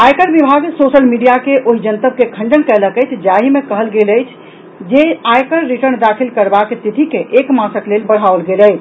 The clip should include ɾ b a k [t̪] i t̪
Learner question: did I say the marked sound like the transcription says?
yes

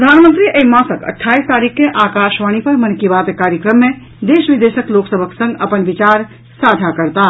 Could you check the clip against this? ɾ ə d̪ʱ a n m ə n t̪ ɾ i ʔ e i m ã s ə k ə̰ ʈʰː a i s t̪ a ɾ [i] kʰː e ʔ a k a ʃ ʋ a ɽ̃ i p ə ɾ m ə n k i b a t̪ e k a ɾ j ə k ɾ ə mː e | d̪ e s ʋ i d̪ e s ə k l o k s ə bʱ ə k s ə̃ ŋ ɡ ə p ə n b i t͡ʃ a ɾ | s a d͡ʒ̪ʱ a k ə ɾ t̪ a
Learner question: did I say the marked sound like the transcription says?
yes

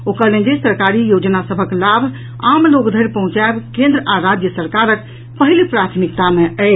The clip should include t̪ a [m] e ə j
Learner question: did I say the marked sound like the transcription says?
yes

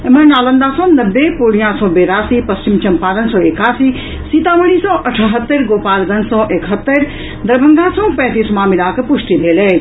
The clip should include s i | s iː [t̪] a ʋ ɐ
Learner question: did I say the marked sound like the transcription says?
yes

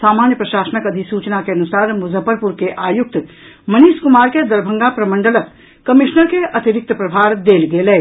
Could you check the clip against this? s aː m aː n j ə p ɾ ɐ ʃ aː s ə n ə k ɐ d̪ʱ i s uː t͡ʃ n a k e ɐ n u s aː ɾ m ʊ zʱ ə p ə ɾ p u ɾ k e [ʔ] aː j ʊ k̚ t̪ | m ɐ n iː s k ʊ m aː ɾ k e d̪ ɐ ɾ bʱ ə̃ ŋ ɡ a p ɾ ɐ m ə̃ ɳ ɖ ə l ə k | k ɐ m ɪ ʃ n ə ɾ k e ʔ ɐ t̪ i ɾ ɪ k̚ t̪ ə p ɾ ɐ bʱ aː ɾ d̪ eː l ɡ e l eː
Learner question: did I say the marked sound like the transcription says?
yes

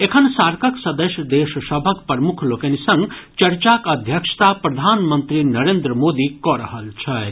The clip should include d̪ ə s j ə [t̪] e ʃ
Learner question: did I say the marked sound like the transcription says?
no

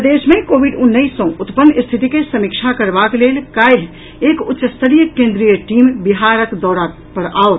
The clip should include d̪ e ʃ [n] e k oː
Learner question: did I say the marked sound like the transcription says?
no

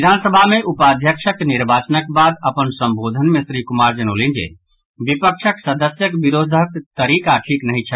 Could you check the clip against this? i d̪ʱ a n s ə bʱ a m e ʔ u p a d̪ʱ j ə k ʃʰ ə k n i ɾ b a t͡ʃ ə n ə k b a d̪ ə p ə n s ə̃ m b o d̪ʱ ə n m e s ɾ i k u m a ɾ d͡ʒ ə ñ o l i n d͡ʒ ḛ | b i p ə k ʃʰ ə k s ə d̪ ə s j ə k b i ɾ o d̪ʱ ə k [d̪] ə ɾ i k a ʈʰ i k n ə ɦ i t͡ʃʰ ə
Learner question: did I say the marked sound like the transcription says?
no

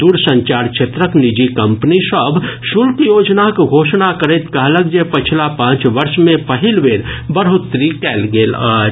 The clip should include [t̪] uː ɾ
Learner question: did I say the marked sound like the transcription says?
no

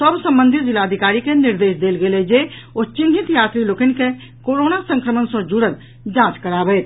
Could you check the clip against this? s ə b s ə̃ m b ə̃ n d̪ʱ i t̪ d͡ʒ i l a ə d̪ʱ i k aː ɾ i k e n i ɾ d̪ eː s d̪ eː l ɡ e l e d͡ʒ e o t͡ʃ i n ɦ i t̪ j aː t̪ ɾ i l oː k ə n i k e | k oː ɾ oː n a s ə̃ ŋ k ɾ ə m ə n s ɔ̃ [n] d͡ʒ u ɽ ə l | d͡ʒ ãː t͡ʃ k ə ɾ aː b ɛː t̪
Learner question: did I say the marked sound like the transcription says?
no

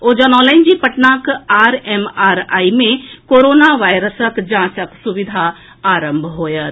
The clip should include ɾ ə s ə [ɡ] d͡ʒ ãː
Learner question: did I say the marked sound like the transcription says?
no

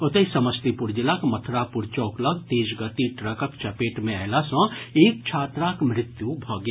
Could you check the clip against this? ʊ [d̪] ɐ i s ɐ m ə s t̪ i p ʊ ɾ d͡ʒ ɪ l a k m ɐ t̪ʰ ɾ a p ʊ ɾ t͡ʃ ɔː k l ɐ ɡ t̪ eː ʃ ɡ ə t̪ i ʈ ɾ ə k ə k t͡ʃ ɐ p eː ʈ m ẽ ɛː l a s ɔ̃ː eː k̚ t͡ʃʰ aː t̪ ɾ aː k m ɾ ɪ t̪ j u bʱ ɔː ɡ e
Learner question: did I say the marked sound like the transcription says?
no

